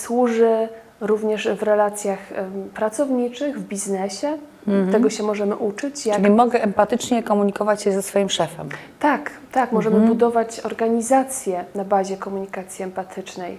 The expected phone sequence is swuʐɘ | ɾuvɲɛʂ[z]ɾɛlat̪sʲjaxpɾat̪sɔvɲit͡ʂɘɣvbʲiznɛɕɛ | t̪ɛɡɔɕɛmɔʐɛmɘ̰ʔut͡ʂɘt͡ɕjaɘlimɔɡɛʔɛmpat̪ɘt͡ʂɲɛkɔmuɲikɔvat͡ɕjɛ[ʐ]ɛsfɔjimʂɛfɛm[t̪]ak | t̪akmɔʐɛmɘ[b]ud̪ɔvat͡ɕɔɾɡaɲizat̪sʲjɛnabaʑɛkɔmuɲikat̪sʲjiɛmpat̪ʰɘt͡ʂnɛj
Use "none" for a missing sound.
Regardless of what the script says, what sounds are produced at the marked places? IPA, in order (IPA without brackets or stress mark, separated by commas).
v, z, t̪, b